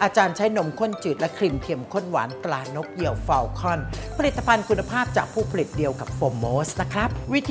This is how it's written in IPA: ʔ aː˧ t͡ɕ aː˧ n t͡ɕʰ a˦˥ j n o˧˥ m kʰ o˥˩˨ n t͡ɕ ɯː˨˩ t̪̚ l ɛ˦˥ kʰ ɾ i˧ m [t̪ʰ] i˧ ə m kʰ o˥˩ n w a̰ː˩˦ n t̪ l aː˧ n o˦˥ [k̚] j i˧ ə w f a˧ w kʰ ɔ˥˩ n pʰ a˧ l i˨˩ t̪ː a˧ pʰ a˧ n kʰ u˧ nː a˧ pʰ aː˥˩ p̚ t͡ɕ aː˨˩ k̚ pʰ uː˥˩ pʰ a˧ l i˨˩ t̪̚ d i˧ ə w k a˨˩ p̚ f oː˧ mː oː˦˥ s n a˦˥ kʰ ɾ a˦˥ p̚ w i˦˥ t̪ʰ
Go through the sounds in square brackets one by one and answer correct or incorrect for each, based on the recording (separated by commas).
correct, correct